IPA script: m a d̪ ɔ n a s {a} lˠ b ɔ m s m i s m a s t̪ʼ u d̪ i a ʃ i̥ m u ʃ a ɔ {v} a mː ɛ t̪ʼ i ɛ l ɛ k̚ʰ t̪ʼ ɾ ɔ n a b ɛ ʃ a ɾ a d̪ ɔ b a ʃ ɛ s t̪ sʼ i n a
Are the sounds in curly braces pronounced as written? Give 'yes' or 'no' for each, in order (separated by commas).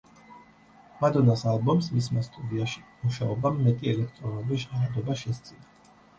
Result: yes, no